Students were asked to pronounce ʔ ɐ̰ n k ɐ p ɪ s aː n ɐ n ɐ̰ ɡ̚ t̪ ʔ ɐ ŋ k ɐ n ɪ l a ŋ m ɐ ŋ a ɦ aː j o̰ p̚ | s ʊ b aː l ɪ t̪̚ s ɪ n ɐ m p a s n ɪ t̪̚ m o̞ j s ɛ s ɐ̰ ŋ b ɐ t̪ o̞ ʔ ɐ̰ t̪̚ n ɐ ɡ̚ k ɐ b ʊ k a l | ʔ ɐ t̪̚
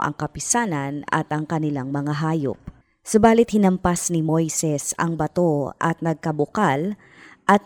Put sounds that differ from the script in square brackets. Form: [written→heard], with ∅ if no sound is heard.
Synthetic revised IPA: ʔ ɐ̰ [n→ŋ] k ɐ p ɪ s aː n ɐ n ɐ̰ [ɡ̚→∅] t̪ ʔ ɐ ŋ k ɐ n ɪ l a ŋ m ɐ ŋ a ɦ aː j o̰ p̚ | s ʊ b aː l ɪ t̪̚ [s→h] ɪ n ɐ m p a s n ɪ [t̪̚→∅] m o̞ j s ɛ s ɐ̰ ŋ b ɐ t̪ o̞ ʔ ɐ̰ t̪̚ n ɐ ɡ̚ k ɐ b ʊ k a l | ʔ ɐ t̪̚